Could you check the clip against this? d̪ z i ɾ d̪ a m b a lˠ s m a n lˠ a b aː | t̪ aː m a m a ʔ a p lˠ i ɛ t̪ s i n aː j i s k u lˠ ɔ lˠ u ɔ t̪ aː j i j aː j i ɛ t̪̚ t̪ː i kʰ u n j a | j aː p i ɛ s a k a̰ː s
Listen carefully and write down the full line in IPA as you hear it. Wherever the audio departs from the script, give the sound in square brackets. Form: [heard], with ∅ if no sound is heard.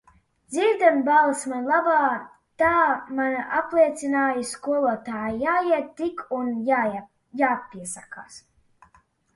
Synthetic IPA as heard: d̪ z i ɾ d̪ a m b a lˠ s m a n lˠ a b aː | t̪ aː m a [n] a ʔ a p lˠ i ɛ t̪ s i n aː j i s k u [∅] ɔ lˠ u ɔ t̪ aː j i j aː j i ɛ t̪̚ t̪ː i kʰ u n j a | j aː p i ɛ s a k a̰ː s